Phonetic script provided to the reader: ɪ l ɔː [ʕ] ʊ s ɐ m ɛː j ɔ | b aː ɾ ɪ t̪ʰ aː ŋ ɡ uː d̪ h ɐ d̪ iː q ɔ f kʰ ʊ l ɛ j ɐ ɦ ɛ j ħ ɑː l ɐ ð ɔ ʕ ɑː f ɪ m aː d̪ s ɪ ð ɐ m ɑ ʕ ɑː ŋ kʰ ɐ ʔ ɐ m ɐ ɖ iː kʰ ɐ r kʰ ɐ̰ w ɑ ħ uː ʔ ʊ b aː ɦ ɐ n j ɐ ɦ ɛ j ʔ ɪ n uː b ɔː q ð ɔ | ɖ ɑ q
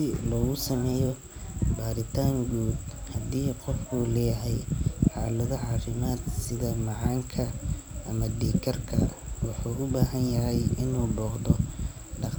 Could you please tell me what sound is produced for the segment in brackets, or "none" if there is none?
ɣ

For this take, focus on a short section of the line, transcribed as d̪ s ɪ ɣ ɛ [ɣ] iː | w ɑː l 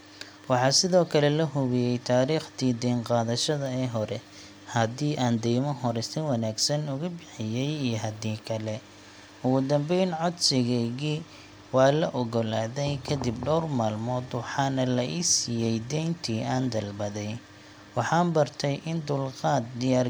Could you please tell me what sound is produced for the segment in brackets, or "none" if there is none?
ɣ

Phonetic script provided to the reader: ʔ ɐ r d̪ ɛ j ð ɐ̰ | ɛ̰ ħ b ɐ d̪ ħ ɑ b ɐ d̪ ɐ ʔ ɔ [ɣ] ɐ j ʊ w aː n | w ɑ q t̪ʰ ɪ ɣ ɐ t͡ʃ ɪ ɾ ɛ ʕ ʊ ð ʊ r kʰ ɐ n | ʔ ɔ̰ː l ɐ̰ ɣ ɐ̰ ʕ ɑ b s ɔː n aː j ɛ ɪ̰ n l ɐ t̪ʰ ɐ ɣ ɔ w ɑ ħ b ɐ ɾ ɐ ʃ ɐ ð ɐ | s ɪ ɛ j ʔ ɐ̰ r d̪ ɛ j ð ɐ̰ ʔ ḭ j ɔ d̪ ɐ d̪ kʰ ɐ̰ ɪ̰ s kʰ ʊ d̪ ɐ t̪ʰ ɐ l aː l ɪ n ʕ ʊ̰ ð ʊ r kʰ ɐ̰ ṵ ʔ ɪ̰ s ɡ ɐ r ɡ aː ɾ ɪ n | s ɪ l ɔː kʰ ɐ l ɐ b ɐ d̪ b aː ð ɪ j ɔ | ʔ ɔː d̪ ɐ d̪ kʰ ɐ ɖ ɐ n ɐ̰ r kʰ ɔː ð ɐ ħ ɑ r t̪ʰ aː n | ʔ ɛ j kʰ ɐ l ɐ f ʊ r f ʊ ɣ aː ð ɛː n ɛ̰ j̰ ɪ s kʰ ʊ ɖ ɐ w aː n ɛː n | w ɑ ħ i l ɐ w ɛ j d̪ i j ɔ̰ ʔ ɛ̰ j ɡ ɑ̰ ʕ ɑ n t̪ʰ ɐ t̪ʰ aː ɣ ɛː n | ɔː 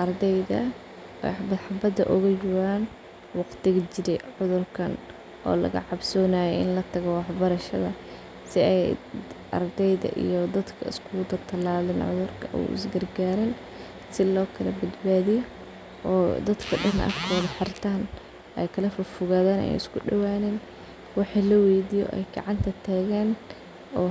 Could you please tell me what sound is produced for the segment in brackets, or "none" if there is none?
ɣ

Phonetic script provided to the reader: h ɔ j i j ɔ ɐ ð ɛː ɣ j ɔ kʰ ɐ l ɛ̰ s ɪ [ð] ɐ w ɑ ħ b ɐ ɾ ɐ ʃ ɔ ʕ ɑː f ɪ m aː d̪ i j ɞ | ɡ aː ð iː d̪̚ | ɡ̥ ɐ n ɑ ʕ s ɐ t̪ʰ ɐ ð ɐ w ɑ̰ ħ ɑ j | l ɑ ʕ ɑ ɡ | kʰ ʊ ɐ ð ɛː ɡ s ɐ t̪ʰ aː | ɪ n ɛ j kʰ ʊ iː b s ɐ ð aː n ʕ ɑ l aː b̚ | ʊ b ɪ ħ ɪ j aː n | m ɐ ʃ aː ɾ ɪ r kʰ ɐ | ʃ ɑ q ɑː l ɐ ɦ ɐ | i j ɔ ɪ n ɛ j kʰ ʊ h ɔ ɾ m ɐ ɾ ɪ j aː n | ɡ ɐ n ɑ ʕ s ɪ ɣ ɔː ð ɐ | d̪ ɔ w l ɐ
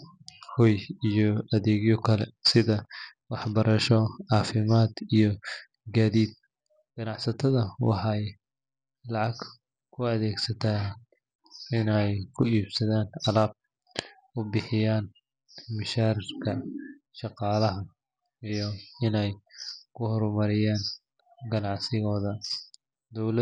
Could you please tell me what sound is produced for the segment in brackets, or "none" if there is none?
ð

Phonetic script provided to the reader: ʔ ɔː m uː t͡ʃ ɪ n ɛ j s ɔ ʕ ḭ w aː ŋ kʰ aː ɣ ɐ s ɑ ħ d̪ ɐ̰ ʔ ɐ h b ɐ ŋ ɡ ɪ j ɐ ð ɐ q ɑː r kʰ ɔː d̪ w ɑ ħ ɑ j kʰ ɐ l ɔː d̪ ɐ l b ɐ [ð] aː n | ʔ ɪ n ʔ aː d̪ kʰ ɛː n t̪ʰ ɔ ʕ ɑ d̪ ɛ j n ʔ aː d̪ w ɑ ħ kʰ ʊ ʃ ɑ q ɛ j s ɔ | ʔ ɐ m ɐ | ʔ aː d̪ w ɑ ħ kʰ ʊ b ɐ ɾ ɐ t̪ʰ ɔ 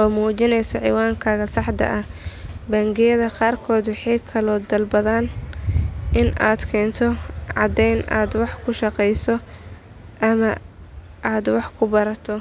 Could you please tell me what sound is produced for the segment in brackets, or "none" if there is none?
ð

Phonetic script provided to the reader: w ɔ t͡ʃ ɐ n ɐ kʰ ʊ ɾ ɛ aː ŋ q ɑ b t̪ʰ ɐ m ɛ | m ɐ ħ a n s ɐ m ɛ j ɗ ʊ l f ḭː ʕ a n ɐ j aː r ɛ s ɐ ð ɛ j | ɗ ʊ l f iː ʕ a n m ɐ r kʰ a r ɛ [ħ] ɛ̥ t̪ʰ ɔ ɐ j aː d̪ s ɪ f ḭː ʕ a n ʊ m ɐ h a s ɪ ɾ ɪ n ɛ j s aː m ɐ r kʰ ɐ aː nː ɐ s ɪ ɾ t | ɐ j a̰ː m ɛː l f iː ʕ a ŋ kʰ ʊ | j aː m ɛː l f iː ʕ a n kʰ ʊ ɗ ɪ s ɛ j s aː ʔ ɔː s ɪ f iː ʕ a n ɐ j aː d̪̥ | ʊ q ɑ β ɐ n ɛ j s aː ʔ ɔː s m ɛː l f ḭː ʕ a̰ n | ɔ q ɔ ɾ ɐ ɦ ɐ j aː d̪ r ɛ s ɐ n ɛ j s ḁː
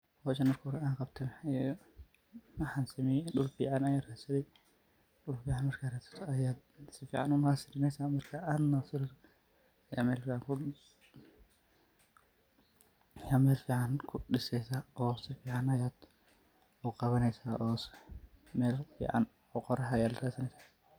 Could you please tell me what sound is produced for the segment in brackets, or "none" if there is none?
s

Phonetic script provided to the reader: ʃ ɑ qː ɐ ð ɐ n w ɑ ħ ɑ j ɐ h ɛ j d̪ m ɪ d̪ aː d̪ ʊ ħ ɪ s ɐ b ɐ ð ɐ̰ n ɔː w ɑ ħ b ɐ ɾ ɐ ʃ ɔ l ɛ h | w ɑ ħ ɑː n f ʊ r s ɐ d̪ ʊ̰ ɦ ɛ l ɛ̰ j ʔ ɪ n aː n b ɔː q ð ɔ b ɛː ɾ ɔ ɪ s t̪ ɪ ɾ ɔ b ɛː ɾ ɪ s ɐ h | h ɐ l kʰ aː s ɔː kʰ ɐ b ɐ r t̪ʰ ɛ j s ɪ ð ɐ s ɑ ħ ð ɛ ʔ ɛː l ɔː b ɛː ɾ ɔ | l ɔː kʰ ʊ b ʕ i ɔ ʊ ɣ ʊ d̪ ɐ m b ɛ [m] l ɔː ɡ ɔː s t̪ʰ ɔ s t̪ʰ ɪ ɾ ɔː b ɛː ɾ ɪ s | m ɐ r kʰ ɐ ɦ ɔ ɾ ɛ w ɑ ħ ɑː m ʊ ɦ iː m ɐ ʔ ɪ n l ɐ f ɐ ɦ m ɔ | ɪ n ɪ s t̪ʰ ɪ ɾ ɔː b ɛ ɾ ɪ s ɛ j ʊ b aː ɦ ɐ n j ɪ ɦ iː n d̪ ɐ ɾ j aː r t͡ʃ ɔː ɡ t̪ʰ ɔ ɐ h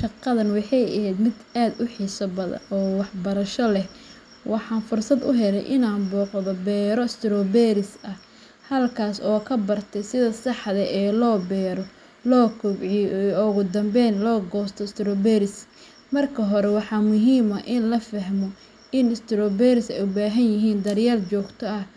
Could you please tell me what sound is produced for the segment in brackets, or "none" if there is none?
n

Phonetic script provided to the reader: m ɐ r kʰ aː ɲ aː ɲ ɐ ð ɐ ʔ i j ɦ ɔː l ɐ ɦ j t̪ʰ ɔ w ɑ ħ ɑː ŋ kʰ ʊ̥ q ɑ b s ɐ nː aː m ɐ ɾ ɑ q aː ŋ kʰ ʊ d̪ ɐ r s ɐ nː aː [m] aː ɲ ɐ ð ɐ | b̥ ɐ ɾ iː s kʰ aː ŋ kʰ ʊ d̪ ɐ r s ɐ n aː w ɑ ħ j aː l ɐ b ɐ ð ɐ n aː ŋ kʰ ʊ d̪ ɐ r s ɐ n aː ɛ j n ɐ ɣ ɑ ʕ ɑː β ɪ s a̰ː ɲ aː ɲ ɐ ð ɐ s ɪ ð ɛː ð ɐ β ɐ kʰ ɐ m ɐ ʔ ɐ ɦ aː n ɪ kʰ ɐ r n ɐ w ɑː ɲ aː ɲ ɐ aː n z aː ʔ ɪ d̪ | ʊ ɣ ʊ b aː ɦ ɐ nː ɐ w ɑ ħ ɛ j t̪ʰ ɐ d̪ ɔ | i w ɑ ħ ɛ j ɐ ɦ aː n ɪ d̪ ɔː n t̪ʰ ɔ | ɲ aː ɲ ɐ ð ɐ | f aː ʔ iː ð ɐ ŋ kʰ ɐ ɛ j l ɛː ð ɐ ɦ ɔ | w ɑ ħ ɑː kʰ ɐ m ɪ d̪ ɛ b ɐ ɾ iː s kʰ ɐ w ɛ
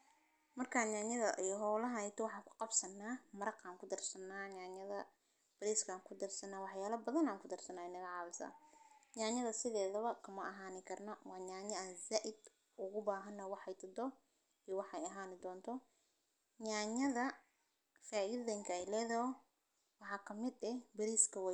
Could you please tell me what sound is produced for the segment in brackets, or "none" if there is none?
ɲ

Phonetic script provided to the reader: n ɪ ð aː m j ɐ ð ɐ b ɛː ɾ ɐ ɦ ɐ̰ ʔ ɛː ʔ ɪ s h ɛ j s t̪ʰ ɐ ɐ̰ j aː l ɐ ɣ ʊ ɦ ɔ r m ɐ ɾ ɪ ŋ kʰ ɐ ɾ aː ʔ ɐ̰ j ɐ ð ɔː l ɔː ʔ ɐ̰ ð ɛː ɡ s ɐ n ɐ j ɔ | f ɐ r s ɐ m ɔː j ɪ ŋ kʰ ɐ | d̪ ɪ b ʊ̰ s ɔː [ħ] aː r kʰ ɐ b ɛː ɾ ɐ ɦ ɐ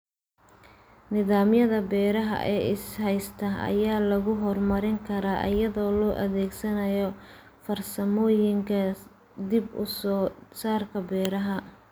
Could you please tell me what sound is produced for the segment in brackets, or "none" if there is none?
s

